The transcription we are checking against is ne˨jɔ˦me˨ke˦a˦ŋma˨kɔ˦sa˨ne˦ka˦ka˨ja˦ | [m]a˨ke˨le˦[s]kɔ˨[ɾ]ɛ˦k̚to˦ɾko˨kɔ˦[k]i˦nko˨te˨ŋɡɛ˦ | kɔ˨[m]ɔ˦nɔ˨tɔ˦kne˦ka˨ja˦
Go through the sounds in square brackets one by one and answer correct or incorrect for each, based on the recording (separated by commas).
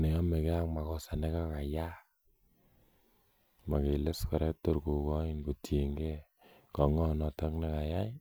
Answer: correct, correct, correct, incorrect, incorrect